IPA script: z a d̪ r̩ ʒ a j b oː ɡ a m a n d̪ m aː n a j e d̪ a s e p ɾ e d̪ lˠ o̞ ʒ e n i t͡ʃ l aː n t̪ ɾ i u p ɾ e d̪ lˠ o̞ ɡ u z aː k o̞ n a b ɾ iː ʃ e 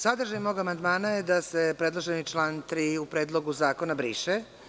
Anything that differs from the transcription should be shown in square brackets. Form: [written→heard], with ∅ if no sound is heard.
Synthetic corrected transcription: [z→s] a d̪ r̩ ʒ a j [b→m] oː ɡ a m a n d̪ m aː n a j e d̪ a s e p ɾ e d̪ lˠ o̞ ʒ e n i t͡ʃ l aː n t̪ ɾ i u p ɾ e d̪ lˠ o̞ ɡ u z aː k o̞ n a b ɾ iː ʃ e